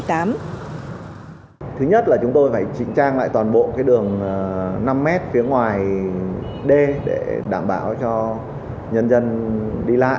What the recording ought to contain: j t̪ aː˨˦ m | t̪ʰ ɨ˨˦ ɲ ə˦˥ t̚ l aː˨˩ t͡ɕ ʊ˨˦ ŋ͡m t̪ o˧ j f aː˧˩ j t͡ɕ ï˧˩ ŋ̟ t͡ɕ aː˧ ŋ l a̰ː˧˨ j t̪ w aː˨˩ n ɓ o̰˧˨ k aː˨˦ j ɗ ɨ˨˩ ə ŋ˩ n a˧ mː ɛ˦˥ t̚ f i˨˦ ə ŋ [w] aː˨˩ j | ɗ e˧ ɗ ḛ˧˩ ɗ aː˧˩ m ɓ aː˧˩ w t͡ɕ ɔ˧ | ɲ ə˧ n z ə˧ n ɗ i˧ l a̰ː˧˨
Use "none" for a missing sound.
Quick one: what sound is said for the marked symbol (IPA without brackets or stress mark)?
w